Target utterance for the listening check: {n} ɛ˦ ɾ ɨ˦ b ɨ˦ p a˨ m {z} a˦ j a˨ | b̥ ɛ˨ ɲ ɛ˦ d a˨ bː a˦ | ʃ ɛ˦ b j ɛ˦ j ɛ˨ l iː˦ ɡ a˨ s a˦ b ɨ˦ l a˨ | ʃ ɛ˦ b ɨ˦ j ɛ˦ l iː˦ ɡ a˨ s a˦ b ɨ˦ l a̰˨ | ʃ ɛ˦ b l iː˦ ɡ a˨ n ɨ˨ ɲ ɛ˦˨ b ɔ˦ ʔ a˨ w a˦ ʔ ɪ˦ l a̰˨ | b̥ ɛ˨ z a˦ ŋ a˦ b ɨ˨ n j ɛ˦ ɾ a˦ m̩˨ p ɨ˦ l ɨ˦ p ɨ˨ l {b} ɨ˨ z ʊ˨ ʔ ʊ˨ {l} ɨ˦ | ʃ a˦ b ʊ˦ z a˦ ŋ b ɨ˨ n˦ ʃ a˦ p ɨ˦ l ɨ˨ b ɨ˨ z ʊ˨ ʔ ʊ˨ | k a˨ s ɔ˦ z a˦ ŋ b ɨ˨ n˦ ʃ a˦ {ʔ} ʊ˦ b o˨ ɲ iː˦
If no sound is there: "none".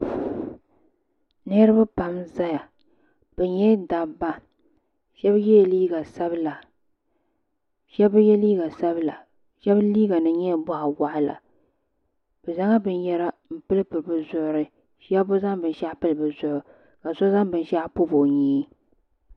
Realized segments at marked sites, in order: n, z, b, ɾ, p

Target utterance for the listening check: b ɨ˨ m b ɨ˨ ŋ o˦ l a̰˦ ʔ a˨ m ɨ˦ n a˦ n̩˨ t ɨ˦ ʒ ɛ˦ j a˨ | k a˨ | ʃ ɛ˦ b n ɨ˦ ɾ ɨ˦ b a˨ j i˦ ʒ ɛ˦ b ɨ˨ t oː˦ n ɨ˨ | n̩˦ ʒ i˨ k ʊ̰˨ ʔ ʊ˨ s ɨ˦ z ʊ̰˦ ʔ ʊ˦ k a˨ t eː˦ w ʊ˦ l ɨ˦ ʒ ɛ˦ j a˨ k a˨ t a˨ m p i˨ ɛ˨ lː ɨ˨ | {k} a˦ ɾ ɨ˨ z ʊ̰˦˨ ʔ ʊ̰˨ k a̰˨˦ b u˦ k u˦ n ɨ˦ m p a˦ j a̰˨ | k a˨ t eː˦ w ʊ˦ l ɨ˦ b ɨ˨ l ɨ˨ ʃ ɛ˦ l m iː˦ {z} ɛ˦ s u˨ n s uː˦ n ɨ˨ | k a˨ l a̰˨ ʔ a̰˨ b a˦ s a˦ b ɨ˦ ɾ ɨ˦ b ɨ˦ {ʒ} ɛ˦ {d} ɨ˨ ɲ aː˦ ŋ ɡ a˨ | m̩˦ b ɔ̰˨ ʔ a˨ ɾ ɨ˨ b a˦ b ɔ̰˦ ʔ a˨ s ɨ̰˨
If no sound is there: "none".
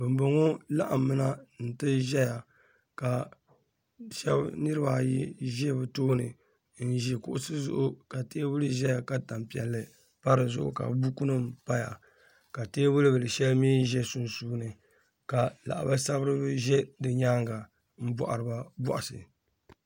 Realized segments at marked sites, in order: p, ʒ, ʒ, d

